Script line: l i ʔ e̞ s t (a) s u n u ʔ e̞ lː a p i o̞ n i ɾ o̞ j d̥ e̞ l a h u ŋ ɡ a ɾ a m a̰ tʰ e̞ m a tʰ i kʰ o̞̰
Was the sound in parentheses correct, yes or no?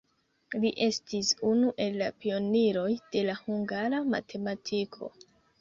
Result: no